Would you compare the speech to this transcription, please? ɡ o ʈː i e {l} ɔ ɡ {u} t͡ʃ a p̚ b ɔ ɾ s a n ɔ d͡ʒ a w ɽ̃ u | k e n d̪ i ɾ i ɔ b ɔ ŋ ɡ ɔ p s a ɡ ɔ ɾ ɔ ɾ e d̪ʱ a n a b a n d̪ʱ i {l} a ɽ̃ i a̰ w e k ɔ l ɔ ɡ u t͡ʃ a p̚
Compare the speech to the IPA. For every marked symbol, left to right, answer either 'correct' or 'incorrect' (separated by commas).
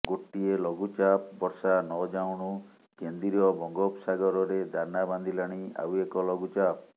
correct, correct, correct